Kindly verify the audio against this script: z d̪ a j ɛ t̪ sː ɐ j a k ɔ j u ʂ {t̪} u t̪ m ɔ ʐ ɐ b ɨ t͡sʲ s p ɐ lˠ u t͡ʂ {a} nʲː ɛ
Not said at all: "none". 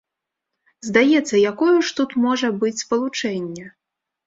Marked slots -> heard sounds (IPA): t̪, ɛ

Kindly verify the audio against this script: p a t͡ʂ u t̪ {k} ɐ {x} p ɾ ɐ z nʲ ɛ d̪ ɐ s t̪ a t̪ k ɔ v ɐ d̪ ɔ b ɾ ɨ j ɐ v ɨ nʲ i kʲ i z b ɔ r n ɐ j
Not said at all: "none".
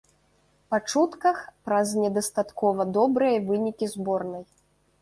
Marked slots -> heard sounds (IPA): k, x

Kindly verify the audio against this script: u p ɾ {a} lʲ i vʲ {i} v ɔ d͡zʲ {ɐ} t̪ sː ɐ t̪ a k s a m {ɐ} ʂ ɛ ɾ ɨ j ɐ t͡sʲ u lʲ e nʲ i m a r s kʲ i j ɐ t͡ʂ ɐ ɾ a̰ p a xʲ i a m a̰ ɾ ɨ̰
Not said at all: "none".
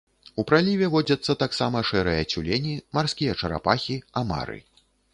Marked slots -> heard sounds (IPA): a, ɛ, ɐ, ɐ

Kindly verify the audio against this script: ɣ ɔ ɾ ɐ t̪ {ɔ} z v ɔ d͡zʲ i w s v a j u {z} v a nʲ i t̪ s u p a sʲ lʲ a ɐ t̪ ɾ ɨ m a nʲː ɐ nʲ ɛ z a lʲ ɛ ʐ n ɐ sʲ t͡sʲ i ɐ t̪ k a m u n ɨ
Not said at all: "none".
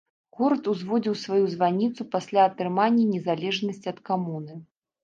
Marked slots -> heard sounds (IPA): u, z

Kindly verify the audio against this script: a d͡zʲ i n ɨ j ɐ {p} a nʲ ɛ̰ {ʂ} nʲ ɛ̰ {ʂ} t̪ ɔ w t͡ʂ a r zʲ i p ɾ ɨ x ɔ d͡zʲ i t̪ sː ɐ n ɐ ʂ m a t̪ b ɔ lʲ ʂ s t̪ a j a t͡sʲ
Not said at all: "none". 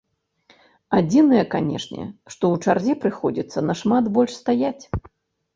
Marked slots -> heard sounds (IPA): k, ʂ, ʂ

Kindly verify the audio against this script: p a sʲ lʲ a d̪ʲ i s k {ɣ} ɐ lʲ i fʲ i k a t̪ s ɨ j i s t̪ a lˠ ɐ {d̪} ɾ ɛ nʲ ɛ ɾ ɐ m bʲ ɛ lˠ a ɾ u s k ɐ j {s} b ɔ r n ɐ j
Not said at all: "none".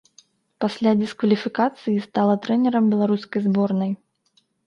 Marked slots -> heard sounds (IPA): v, t̪, z

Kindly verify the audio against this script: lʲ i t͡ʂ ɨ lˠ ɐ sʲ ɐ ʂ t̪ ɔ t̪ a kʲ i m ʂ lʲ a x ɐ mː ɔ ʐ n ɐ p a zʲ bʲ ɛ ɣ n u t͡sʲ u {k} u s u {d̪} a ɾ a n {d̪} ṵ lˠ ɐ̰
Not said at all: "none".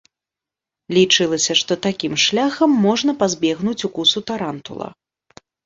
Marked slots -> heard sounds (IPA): k, t̪, t̪

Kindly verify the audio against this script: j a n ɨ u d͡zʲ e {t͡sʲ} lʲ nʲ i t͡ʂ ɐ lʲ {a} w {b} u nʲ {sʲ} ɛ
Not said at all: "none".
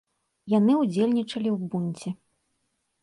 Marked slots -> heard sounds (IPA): none, i, b, t͡sʲ

